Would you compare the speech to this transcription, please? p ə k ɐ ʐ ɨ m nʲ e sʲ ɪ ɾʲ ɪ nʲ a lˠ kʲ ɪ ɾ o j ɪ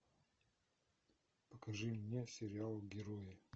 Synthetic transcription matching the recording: p ə k ɐ ʐ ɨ m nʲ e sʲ ɪ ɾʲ ɪ a lˠ ɡʲ ɪ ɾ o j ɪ